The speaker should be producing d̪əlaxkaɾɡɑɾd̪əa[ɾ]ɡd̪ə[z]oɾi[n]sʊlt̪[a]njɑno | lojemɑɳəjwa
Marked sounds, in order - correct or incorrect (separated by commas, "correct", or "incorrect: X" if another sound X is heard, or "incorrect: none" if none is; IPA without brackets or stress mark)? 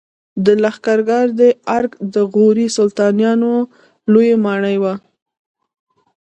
correct, incorrect: ɣ, incorrect: none, incorrect: ɑ